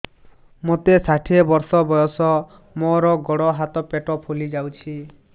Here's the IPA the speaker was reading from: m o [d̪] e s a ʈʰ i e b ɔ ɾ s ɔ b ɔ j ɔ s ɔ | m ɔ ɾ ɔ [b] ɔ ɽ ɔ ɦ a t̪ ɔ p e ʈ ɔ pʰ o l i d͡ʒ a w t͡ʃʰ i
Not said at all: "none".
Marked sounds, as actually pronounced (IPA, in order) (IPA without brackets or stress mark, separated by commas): t̪, ɡ